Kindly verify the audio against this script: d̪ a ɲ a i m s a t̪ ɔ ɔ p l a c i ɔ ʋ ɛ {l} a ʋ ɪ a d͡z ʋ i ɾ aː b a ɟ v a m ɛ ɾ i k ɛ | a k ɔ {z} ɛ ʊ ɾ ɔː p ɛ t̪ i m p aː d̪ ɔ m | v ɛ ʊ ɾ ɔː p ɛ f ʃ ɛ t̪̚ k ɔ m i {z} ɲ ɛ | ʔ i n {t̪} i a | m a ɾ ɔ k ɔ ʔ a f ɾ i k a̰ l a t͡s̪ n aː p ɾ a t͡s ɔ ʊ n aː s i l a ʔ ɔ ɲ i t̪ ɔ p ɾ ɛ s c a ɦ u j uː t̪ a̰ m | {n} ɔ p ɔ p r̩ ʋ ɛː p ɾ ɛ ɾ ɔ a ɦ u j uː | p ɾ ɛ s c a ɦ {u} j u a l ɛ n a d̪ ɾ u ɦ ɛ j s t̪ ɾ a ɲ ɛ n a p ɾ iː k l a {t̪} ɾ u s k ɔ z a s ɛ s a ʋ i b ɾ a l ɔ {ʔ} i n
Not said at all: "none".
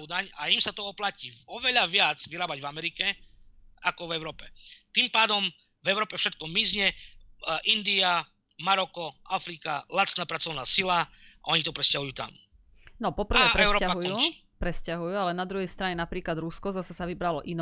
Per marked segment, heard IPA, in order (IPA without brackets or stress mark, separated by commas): ʎ, v, z, d̪, n, u, d̪, ʔ